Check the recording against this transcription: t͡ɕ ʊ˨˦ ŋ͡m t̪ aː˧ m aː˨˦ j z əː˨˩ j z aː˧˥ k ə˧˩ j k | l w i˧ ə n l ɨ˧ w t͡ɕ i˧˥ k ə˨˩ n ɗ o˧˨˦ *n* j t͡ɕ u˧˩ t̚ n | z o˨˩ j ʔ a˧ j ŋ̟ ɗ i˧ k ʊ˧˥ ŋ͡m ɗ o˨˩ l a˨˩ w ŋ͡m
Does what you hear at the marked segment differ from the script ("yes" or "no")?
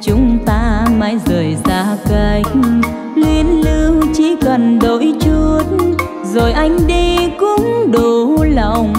yes